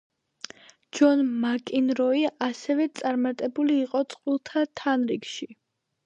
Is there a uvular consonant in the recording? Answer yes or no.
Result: yes